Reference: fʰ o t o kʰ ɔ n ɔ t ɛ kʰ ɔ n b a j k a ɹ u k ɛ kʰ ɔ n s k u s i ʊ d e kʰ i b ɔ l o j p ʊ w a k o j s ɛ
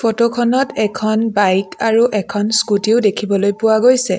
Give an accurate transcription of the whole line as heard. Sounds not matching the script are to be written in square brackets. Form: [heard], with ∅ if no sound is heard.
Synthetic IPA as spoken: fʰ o t o kʰ ɔ n ɔ t ɛ kʰ ɔ n b a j k a ɹ u [ʔ] ɛ kʰ ɔ n s k u [t] i ʊ d e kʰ i b ɔ l o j p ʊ w a [ɡ] o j s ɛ